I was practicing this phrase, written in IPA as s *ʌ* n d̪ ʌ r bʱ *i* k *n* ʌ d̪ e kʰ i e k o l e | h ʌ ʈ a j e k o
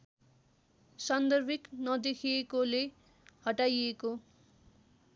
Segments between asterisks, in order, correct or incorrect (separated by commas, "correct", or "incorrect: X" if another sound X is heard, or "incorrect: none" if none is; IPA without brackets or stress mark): correct, correct, correct